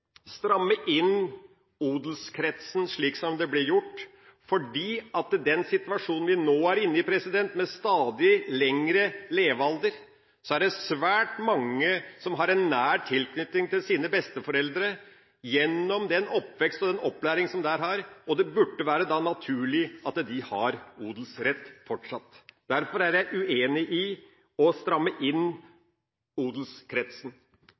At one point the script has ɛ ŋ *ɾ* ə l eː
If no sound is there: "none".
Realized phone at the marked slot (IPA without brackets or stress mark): ɾ